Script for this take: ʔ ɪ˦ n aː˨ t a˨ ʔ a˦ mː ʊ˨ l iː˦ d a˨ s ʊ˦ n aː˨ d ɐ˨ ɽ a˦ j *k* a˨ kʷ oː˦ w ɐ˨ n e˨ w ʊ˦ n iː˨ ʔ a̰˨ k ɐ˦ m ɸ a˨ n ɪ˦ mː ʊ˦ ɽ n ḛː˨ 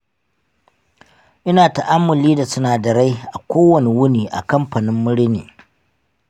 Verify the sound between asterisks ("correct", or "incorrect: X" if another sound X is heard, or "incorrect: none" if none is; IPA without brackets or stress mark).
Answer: incorrect: ʔ